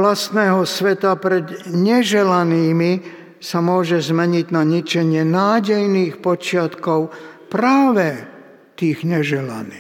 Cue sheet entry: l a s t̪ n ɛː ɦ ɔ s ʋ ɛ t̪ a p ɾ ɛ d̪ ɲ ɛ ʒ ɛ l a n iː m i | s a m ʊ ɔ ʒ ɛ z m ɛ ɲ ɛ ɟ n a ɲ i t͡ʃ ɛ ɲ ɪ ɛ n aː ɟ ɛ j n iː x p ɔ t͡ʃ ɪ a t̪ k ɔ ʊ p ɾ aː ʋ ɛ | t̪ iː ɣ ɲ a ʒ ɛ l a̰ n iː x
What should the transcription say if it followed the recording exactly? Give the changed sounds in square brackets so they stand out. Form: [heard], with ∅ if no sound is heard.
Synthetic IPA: l a s t̪ n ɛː ɦ ɔ s ʋ ɛ t̪ a p ɾ ɛ d̪ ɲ ɛ ʒ ɛ l a n iː m i | s a m ʊ ɔ ʒ ɛ z m ɛ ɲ [i] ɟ n a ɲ i t͡ʃ ɛ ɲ ɪ ɛ n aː ɟ ɛ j n iː x p ɔ t͡ʃ ɪ a t̪ k ɔ ʊ p ɾ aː ʋ ɛ | t̪ iː ɣ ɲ [ɛ] ʒ ɛ l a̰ n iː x